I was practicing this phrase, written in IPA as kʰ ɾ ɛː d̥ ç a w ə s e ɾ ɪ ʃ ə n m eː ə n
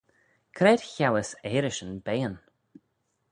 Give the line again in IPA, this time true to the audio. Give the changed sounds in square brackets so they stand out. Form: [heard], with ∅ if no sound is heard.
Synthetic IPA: kʰ ɾ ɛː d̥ ç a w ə s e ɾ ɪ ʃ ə n [b] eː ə n